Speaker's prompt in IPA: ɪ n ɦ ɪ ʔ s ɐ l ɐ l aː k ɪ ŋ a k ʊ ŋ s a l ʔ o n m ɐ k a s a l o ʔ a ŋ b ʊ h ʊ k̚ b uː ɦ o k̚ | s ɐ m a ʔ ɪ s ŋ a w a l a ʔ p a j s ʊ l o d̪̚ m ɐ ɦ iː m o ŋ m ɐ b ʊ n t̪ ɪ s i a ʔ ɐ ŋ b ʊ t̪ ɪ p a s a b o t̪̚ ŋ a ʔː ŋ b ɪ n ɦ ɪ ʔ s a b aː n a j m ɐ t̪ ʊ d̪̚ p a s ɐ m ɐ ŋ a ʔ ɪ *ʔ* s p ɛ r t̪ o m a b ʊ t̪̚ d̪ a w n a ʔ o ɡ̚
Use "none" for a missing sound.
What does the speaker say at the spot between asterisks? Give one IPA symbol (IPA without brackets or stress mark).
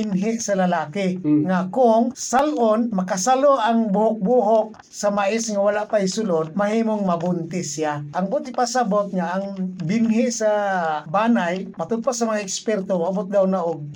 k